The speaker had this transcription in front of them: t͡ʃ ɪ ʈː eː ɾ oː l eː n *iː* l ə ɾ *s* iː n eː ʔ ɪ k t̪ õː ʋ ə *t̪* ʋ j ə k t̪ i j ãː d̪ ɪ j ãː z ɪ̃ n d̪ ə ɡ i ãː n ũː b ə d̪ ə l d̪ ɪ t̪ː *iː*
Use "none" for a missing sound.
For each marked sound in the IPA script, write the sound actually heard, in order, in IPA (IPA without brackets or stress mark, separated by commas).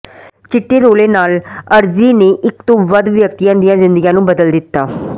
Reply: aː, z, d̪, aː